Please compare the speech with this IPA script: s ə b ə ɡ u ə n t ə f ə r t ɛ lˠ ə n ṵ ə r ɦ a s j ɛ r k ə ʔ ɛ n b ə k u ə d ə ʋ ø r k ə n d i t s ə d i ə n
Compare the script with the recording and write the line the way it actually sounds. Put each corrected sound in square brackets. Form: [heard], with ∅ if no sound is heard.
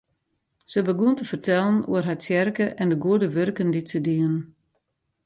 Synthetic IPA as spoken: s ə b ə ɡ u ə n t ə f ə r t ɛ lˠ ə n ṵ ə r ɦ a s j ɛ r k ə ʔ ɛ n [d] ə [ɡ] u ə d ə ʋ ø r k ə n d i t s ə d i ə n